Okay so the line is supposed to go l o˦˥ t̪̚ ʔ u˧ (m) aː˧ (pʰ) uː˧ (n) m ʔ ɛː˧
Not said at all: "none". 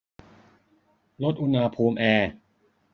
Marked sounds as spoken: n, pʰ, none

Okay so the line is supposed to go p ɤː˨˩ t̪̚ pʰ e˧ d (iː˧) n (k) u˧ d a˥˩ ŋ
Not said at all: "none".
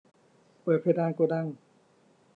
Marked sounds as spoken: aː˧, k

